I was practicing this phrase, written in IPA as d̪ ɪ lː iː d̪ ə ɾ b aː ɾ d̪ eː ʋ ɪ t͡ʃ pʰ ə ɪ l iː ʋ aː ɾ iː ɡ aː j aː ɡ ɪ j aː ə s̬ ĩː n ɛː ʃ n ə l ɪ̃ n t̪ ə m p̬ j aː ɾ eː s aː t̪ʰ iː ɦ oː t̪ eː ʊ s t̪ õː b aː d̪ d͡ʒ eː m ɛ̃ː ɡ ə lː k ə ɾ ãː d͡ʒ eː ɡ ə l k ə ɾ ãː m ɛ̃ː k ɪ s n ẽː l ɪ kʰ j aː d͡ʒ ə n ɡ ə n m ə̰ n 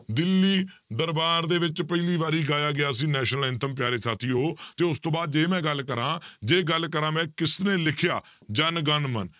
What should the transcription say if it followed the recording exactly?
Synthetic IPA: d̪ ɪ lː iː d̪ ə ɾ b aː ɾ d̪ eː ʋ ɪ t͡ʃ p ə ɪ l iː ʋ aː ɾ iː ɡ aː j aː ɡ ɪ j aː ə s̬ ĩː n ɛː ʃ n ə l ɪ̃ n t̪ ə m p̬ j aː ɾ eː s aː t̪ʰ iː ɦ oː t̪ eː ʊ s t̪ õː b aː d̪ d͡ʒ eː m ɛ̃ː ɡ ə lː k ə ɾ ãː d͡ʒ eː ɡ ə l k ə ɾ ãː m ɛ̃ː k ɪ s n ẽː l ɪ kʰ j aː d͡ʒ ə n ɡ ə n m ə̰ n

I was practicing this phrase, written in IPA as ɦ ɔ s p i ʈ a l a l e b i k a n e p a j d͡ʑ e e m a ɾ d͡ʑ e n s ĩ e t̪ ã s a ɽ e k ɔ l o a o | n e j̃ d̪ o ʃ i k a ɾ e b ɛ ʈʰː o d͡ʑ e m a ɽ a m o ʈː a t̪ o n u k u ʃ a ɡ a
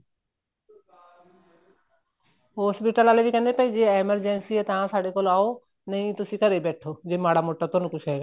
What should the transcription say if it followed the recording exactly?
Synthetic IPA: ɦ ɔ s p i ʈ a l a l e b i k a n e p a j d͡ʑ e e m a ɾ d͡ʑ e n s i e t̪ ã s a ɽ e k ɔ l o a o | n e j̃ t̪ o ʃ i k a ɾ e b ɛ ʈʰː o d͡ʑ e m a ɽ a m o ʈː a t̪ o n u k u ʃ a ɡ a

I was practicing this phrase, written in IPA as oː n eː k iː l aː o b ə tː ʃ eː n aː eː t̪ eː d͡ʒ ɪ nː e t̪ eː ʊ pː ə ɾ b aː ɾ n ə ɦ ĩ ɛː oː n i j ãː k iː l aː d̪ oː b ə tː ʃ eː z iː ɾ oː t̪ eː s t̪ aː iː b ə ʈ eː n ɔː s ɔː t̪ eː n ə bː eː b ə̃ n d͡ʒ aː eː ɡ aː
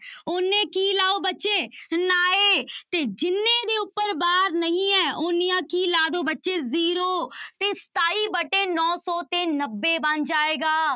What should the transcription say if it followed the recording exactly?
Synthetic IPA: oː n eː k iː l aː o b ə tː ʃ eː n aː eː t̪ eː d͡ʒ ɪ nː e d̪ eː ʊ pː ə ɾ b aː ɾ n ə ɦ ĩ ɛː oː n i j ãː k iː l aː d̪ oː b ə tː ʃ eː z iː ɾ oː t̪ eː s t̪ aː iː b ə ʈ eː n ɔː s ɔː t̪ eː n ə bː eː b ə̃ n d͡ʒ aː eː ɡ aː

